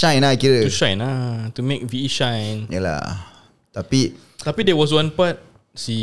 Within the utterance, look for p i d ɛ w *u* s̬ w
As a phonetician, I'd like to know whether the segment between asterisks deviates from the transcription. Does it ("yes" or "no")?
yes